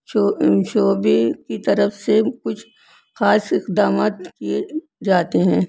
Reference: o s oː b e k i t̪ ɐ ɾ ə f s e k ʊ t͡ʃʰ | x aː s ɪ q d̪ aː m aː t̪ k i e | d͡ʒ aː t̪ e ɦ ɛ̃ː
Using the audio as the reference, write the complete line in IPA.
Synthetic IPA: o ʃ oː b e k i t̪ ɐ ɾ ə f s e k ʊ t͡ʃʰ | x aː s ɪ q d̪ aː m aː t̪ k i e | d͡ʒ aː t̪ e ɦ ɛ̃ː